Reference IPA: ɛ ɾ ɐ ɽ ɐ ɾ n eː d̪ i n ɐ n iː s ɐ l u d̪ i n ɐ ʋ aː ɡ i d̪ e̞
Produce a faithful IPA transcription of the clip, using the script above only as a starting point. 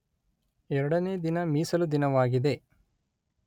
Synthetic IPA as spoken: ɛ ɾ ɐ ɽ ɐ n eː d̪ i n ɐ m iː s ɐ l u d̪ i n ɐ ʋ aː ɡ i d̪ e̞

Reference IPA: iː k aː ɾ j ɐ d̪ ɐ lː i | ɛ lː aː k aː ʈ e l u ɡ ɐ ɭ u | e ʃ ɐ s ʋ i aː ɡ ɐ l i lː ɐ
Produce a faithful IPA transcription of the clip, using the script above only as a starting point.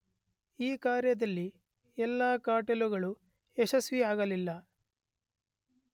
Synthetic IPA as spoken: iː k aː ɾ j ɐ d̪ ɐ lː i | ɛ lː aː k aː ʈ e l u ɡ ɐ ɭ u | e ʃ ɐ s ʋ i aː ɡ ɐ l i lː ɐ

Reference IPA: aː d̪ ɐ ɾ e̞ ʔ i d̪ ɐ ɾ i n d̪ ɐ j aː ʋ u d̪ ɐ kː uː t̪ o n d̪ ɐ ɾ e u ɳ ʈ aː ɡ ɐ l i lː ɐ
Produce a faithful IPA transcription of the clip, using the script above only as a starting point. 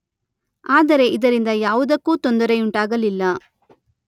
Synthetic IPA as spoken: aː d̪ ɐ ɾ e̞ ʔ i d̪ ɐ ɾ i n d̪ ɐ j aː ʋ u d̪ ɐ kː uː t̪ o n d̪ ɐ ɾ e u ɳ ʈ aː ɡ ɐ l i lː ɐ

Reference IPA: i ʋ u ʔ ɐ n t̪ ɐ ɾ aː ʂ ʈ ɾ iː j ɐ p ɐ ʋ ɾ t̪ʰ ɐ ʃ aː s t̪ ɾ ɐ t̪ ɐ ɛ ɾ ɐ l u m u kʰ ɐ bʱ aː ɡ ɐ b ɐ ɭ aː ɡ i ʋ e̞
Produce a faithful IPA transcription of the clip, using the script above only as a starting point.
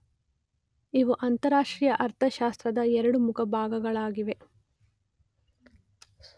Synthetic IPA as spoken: i ʋ u ʔ ɐ n t̪ ɐ ɾ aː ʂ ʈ ɾ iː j ɐ ʔ ɐ ɾ t̪ʰ ɐ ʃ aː s t̪ ɾ ɐ d̪ ɐ ɛ ɾ ɐ ɽ u m u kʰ ɐ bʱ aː ɡ ɐ ɡ ɐ ɭ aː ɡ i ʋ e̞

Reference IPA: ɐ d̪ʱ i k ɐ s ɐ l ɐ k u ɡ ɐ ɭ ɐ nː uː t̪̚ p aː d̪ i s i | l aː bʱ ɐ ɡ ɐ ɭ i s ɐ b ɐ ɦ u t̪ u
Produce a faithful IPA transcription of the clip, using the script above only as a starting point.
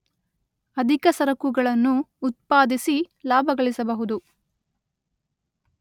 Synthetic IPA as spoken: ɐ d̪ʱ i k ɐ s ɐ ɾ ɐ k u ɡ ɐ ɭ ɐ nː uː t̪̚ p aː d̪ i s i | l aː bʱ ɐ ɡ ɐ ɭ i s ɐ b ɐ ɦ u d̪ u

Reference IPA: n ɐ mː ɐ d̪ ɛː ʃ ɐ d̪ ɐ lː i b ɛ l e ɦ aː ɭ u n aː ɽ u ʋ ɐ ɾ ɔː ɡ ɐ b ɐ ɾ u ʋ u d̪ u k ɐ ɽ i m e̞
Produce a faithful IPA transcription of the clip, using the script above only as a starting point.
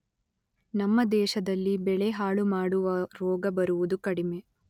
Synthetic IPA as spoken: n ɐ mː ɐ d̪ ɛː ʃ ɐ d̪ ɐ lː i b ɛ ɭ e ɦ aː ɭ u m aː ɽ u ʋ ɐ ɾ ɔː ɡ ɐ b ɐ ɾ u ʋ u d̪ u k ɐ ɽ i m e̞

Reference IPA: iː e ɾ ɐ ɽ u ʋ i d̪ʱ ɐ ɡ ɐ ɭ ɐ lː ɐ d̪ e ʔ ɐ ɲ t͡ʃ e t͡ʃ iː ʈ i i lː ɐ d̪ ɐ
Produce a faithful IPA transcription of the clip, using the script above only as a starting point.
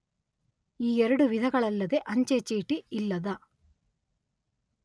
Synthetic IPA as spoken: iː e ɾ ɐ ɽ u ʋ i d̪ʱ ɐ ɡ ɐ ɭ ɐ lː ɐ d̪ e ʔ ɐ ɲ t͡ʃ e t͡ʃ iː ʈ i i lː ɐ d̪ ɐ

